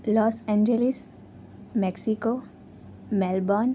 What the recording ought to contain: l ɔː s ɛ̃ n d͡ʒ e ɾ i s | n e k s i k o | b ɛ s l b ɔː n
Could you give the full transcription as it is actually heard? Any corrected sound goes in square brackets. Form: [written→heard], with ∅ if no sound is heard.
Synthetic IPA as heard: l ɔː s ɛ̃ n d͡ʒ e [ɾ→l] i s | [n→m] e k s i k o | [b→m] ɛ [s→∅] l b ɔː n